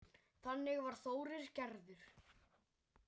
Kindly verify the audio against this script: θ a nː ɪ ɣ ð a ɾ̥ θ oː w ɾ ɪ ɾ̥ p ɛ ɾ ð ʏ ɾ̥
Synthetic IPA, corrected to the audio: θ a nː ɪ ɣ v a ɾ̥ θ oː w ɾ ɪ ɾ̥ c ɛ ɾ ð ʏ ɾ̥